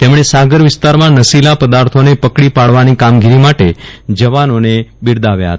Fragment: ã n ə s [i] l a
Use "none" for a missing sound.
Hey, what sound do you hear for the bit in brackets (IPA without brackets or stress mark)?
i